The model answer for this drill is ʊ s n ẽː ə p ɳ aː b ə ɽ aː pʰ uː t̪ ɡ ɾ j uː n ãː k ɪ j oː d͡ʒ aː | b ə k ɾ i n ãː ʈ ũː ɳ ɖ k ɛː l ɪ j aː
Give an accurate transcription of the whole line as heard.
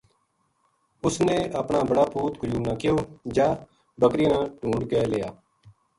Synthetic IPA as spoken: ʊ s n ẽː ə p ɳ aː b ə ɽ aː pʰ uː t̪ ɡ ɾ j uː n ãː k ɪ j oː d͡ʒ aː | b ə k ɾ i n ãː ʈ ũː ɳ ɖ k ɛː l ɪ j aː